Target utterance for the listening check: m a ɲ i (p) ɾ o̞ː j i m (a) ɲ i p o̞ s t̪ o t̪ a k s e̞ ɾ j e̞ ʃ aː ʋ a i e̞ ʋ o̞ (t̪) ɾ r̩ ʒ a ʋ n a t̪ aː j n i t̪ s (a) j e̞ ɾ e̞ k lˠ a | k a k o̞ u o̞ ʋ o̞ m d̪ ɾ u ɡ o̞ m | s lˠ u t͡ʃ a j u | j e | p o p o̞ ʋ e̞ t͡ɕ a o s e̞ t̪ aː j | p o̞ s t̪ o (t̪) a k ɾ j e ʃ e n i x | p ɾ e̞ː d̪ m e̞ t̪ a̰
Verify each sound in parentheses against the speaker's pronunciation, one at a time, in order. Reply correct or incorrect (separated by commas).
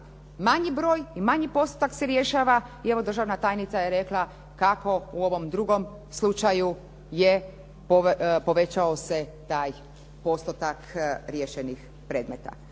incorrect, correct, incorrect, correct, correct